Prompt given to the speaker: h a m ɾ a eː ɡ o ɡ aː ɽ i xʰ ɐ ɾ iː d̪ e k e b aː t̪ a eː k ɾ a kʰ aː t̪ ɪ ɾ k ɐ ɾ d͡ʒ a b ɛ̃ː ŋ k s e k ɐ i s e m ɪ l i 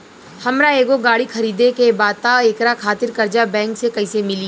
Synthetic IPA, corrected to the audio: h ɐ m ɾ a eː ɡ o ɡ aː ɽ i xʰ ɐ ɾ iː d̪ e k e b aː t̪ a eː k ɾ a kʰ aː t̪ ɪ ɾ k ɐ ɾ d͡ʒ a b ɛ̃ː ŋ k s e k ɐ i s e m ɪ l i